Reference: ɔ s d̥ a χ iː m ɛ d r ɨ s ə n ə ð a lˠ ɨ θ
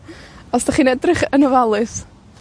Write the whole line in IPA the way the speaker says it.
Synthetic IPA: ɔ s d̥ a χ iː n ɛ d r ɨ χ ə n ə v a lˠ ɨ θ